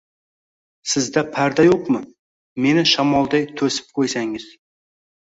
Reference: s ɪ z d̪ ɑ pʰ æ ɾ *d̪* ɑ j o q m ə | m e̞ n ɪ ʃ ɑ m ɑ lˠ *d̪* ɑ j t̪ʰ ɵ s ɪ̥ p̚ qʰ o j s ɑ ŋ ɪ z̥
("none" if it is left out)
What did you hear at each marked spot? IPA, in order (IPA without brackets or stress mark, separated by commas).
d̪, d̪